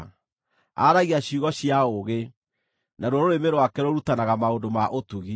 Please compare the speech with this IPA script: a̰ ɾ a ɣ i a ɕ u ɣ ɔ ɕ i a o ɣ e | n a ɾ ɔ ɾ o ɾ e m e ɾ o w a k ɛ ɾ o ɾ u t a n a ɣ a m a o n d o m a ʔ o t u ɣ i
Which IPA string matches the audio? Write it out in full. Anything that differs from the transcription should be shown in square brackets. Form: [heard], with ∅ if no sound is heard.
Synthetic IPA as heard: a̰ ɾ a ɣ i a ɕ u ɣ ɔ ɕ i a o ɣ e | n a ɾ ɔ ɾ o ɾ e m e ɾ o w a k ɛ ɾ o ɾ u t a n a ɣ a m a o n d o m a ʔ o t u ɣ i

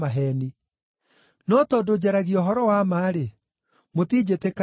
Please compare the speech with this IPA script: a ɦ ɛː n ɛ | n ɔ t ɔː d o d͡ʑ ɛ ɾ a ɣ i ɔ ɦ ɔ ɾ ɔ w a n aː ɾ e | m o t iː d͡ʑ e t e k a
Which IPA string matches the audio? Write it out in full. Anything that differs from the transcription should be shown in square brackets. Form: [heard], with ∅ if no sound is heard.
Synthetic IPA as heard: a ɦ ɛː n [i] | n ɔ t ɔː d o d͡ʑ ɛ ɾ a ɣ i ɔ ɦ ɔ ɾ ɔ w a [m] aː ɾ e | m o t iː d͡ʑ e t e k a

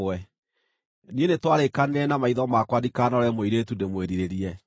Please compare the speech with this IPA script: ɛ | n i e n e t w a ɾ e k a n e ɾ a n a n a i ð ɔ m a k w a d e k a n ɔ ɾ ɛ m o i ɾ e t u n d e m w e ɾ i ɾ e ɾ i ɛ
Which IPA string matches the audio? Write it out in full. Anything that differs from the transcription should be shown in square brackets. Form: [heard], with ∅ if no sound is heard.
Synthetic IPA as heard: ɛ | n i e n e t w a ɾ e k a n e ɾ [ɛ] n a [m] a i ð ɔ m a k w a d [i] k a n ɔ ɾ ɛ m o i ɾ e t u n d e m w e ɾ i ɾ e ɾ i ɛ

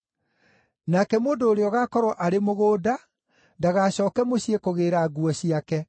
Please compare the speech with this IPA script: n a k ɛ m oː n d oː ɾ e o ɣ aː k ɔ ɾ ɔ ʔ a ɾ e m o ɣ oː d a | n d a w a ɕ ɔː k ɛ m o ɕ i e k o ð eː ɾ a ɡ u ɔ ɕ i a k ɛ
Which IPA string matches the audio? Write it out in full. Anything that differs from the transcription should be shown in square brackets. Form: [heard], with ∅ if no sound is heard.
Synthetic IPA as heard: n a k ɛ m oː n d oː ɾ e [ɔ] ɣ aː k ɔ ɾ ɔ ʔ a ɾ e m o ɣ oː d a | n d a [ɣ] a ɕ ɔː k ɛ m o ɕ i e k o [ɣ] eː ɾ a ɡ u ɔ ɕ i a k ɛ

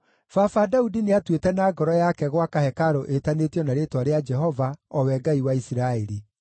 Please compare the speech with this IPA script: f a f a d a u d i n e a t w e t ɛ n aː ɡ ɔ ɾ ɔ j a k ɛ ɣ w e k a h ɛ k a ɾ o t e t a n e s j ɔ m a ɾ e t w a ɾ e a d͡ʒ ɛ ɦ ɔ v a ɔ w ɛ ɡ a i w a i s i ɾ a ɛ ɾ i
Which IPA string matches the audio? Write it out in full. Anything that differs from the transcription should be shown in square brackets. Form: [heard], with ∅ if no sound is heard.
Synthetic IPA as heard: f a f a d a u d i n e a t w e t ɛ n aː ɡ ɔ ɾ ɔ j a k ɛ ɣ w [a] k a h ɛ k a ɾ o [ʔ] e t a n e [t] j ɔ [n] a ɾ e t w a ɾ e a d͡ʒ ɛ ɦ ɔ v a ɔ w ɛ ɡ a i w a i s i ɾ a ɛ ɾ i

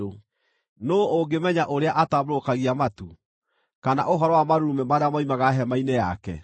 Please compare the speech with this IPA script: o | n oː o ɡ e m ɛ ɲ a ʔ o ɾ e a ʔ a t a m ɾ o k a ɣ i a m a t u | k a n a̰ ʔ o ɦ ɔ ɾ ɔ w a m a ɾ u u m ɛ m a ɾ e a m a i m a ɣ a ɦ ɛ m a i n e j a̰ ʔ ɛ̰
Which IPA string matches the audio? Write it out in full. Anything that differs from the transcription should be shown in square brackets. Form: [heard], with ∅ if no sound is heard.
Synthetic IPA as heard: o | n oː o ɡ e m ɛ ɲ a ʔ o ɾ e a ʔ a t a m ɾ o k a ɣ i a m a t u | k a n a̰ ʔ o ɦ ɔ ɾ ɔ w a m a ɾ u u m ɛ m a ɾ e a m a i m a ɣ a ɦ ɛ m a i n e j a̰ [k] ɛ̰

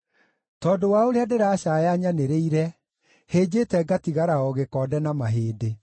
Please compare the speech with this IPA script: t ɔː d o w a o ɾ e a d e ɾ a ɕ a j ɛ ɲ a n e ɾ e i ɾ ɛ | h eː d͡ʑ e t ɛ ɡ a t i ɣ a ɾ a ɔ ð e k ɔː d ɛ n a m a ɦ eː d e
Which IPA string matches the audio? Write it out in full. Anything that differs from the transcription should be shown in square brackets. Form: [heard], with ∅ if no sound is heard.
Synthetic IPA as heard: t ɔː d o w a o ɾ e a d e ɾ a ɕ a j [a] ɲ a n e ɾ e i ɾ ɛ | h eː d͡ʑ e t ɛ ɡ a t i ɣ a ɾ a ɔ [ɣ] e k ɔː d ɛ n a m a ɦ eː d e

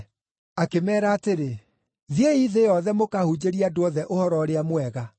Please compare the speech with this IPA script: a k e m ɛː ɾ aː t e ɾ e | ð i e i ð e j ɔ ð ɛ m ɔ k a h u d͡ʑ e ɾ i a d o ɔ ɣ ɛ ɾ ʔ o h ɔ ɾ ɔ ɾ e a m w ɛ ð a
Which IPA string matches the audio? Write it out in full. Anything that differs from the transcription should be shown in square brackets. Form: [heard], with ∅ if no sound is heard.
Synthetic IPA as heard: a k e m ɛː ɾ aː t e ɾ e | ð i e i ð e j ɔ ð ɛ m [o] k a h u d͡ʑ e ɾ i a d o ɔ [ð] ɛ [∅] ʔ o h ɔ ɾ ɔ ɾ e a m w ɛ [ɣ] a

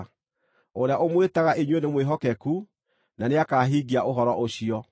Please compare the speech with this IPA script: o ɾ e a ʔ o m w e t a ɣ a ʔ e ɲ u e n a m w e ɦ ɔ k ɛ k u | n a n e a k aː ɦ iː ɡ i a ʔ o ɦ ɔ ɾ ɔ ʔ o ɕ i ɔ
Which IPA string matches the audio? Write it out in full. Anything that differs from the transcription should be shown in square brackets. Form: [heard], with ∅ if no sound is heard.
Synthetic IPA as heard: o ɾ e a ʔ o m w e t a ɣ a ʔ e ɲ [w] e n [e] m w e ɦ ɔ k ɛ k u | n a n e a k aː ɦ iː ɡ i a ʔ o ɦ ɔ ɾ ɔ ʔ o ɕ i ɔ

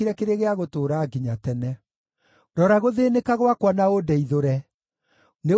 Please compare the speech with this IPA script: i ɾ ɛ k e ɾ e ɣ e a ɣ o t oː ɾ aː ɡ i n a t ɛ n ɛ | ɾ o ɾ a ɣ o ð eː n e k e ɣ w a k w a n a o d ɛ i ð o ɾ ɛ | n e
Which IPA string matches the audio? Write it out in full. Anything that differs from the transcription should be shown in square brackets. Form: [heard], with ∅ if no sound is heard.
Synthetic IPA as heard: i ɾ ɛ k e ɾ e ɣ e a ɣ o t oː ɾ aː ɡ i [ɲ] a t ɛ n ɛ | ɾ [ɔ] ɾ a ɣ o ð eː n e k [a] ɣ w a k w a n a o d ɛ i ð o ɾ ɛ | n e

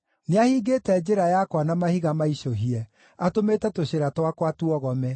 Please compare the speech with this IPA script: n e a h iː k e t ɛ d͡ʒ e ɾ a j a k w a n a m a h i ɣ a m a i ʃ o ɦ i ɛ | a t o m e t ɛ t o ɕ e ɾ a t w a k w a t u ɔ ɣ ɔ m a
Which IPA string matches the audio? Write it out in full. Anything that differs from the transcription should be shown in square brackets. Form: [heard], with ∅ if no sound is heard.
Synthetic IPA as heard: n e a h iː [ɡ] e t ɛ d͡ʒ e ɾ a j a k w a n a m a h i ɣ a m a i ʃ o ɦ i ɛ | a t o m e t ɛ t o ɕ e ɾ a t w a k w a t u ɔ ɣ ɔ m [ɛ]

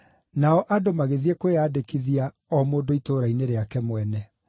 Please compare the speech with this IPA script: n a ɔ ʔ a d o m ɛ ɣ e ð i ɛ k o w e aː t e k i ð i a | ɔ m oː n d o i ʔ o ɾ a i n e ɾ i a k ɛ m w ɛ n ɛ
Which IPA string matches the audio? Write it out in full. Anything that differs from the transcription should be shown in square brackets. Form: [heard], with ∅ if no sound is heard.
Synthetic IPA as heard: n a ɔ ʔ a d o m [a] ɣ e ð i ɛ k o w e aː [d] e k i ð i a | ɔ m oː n d o i [t] o ɾ a i n e ɾ [e] a k ɛ m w ɛ n ɛ

